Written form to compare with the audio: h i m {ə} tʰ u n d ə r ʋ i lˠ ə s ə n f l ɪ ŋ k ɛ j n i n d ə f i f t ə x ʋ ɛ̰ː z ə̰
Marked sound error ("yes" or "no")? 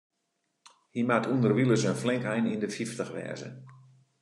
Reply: yes